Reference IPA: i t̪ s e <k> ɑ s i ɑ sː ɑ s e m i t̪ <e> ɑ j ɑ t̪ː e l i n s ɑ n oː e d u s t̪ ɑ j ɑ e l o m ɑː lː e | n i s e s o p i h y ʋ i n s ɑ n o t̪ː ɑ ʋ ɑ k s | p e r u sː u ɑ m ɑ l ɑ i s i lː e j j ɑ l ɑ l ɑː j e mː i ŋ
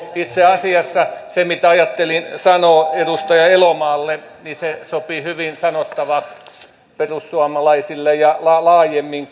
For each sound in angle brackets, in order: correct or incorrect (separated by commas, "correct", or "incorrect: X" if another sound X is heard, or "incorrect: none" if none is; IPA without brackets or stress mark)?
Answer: incorrect: none, incorrect: æ